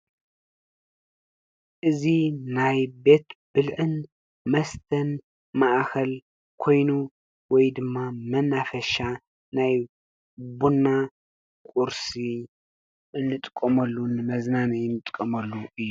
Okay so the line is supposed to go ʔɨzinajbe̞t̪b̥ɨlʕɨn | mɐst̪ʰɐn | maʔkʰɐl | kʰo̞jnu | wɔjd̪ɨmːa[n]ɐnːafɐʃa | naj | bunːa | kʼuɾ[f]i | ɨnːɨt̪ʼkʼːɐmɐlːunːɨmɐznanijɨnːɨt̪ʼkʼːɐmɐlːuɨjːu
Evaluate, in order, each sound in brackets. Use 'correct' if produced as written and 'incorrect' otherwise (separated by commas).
incorrect, incorrect